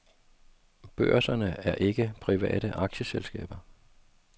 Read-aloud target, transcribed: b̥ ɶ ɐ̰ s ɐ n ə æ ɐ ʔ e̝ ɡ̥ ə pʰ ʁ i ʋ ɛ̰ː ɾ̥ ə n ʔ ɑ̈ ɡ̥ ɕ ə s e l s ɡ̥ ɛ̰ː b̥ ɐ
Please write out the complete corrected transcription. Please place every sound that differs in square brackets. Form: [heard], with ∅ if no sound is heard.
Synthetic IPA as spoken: b̥ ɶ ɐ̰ s ɐ n ə æ ɐ ʔ e̝ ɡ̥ ə pʰ ʁ i ʋ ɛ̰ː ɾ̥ ə [∅] ʔ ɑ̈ ɡ̥ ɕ ə s e l s ɡ̥ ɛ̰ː b̥ ɐ

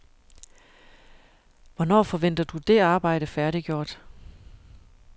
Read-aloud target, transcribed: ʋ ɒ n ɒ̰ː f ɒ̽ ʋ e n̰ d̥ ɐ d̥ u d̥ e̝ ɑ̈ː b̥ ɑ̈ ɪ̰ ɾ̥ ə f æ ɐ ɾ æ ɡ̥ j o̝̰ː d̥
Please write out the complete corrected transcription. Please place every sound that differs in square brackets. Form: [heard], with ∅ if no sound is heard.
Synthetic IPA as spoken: ʋ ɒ n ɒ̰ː f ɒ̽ ʋ e n̰ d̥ ɐ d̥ u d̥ e̝ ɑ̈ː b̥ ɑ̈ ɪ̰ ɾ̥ ə f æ ɐ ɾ [i] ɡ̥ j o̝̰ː d̥

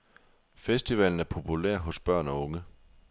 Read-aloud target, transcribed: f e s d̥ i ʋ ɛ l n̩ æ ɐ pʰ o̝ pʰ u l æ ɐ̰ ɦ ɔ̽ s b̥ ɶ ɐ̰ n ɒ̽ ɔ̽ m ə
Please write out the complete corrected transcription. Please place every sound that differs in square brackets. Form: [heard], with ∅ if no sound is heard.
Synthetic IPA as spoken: f e s d̥ i ʋ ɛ l n̩ æ ɐ pʰ o̝ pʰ u l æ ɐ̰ ɦ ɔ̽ s b̥ ɶ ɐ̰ n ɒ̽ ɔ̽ [ŋ] ə

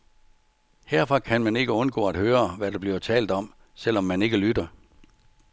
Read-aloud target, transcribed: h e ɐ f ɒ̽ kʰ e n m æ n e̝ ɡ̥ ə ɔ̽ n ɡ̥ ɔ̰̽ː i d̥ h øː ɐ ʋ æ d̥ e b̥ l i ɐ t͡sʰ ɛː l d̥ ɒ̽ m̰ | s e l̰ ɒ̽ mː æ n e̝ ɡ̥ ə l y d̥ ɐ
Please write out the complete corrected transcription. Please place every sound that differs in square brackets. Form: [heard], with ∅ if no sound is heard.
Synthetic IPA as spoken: h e ɐ f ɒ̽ kʰ [æ] n m æ n e̝ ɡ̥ ə ɔ̽ n ɡ̥ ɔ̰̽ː [æ] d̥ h øː ɐ ʋ æ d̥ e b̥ l i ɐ t͡sʰ ɛː l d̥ ɒ̽ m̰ | s e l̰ ɒ̽ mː æ n e̝ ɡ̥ ə l y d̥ ɐ

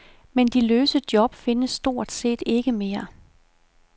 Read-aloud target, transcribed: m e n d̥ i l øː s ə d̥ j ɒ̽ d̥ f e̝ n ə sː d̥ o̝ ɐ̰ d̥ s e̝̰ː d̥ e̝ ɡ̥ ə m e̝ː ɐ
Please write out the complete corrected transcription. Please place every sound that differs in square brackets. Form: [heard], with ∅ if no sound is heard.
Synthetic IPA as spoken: m e n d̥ i l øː s ə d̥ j ɒ̽ [b̥] f e̝ n ə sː d̥ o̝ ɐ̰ d̥ s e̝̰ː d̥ e̝ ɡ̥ ə m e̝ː ɐ

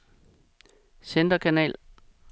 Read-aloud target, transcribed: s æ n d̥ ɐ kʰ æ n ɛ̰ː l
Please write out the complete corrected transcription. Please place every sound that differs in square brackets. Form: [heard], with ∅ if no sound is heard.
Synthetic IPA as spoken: s [e] n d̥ ɐ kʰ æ n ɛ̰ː l

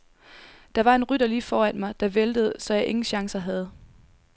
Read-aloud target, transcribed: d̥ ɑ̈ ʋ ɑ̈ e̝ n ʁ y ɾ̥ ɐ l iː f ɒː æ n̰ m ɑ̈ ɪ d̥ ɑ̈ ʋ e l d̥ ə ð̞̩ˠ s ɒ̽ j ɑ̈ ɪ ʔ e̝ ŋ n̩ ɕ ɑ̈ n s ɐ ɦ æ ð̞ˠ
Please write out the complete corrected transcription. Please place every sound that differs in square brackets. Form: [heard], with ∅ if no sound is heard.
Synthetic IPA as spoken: d̥ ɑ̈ ʋ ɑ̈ e̝ n ʁ y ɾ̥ ɐ l iː f ɒː æ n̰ m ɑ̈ ɪ d̥ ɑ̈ ʋ e l d̥ ə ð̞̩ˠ s ɒ̽ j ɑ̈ ɪ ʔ e̝ ŋ n̩ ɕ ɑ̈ [ŋ] s ɐ ɦ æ ð̞ˠ

